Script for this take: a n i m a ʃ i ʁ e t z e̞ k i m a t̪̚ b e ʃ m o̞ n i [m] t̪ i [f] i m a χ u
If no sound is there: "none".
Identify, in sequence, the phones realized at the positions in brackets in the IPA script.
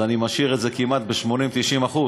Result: m, ʃ

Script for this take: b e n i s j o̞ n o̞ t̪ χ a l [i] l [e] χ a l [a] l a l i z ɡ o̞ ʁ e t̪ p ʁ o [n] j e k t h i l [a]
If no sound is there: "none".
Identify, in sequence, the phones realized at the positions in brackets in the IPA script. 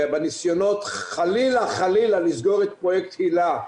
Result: i, a, i, none, a

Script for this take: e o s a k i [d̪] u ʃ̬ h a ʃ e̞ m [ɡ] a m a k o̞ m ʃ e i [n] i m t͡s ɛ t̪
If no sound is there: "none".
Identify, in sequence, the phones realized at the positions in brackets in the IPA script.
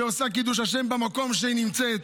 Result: d̪, b, n

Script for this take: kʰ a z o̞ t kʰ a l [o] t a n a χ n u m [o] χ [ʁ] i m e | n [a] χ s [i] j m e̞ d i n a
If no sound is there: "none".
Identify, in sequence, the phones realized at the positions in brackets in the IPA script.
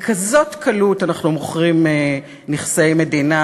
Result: u, o, ʁ, i, e

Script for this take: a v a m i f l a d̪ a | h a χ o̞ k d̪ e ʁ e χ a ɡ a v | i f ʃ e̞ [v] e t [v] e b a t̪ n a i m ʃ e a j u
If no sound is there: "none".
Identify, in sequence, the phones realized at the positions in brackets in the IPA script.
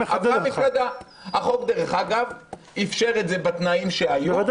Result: ʁ, z

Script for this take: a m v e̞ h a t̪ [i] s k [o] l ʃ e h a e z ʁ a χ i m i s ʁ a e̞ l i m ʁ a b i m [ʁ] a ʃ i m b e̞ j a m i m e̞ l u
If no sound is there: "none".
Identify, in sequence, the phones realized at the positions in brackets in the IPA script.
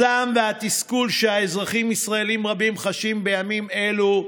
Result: i, u, χ

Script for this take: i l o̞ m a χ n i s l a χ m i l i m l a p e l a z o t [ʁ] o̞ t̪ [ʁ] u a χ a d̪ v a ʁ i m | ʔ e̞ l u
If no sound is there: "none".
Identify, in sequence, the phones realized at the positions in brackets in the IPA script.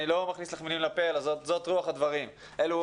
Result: z, ʁ

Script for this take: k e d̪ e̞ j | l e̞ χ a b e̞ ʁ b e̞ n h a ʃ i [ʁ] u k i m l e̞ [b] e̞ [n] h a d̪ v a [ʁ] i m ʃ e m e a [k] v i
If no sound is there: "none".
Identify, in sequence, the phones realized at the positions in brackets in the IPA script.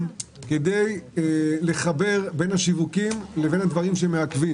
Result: v, v, n, ʁ, k

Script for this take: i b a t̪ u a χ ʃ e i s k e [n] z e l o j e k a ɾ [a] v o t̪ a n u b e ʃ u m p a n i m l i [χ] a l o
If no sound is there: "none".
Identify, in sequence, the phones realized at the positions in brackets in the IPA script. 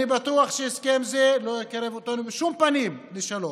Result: m, e, ʃ

